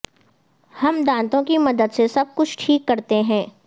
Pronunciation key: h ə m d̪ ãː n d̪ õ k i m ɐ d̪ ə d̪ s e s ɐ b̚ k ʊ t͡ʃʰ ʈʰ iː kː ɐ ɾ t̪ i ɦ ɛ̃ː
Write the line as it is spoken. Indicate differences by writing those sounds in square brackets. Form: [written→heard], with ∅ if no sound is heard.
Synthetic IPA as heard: h [ə→ɐ] m d̪ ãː n [d̪→t̪] õ k i m ɐ d̪ ə d̪ s e s ɐ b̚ k ʊ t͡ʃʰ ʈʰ iː kː ɐ ɾ t̪ [i→e] ɦ ɛ̃ː